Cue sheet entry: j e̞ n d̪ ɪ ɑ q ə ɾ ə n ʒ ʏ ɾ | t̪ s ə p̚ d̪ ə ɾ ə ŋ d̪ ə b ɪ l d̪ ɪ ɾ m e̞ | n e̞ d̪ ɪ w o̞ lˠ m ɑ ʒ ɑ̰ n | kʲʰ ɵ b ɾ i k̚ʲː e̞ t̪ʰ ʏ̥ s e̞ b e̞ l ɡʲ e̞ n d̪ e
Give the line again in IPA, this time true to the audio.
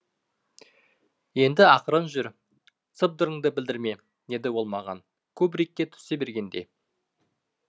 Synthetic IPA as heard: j e̞ n d̪ ɪ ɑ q ə ɾ ə n ʒ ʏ ɾ | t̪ s ə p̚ d̪ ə ɾ ə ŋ d̪ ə b ɪ l d̪ ɪ ɾ m e̞ | n e̞ d̪ ɪ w o̞ lˠ m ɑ ʁ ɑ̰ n | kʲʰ ɵ b ɾ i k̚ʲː e̞ t̪ʰ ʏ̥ s e̞ b e̞ ɾ ɡʲ e̞ n d̪ e